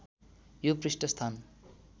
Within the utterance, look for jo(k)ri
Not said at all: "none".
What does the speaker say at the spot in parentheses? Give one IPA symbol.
p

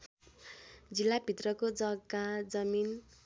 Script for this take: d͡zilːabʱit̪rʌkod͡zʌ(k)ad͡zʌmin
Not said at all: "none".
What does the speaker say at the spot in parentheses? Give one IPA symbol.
ɡ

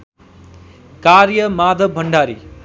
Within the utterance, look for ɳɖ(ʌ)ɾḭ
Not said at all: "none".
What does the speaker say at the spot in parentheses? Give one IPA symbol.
a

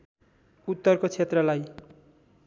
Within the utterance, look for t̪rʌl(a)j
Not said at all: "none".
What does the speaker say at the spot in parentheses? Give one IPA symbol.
a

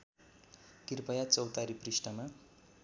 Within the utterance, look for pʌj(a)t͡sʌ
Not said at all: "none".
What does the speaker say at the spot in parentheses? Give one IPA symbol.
a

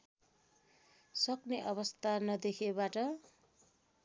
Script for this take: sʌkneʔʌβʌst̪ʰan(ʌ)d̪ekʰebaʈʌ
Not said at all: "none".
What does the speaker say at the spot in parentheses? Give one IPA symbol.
ʌ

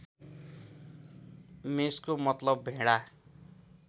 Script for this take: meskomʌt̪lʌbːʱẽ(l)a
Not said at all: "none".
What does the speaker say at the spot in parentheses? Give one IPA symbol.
ɽ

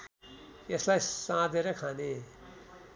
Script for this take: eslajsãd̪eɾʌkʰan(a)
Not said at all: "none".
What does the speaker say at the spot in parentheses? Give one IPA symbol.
e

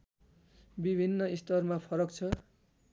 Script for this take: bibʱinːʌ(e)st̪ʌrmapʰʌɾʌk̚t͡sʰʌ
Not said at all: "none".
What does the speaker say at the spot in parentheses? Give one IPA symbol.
i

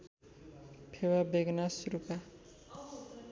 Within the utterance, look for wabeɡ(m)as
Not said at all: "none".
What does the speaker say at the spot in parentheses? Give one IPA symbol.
n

